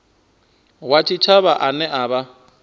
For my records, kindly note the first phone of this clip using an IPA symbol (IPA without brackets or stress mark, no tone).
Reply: w